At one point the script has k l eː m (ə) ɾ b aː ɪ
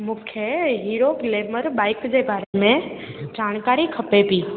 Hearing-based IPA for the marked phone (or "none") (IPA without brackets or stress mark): ə